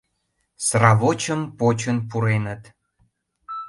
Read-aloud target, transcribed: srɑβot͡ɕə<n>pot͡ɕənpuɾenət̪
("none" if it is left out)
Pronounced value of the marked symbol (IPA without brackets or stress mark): m